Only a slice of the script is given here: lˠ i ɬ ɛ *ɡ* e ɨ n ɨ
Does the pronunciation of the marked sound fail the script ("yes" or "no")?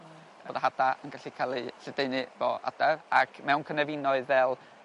yes